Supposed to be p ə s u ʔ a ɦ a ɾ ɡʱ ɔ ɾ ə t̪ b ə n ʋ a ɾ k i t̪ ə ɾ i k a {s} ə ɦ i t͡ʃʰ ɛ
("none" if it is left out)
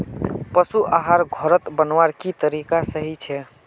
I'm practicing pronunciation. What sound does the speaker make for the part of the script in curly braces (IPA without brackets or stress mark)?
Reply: s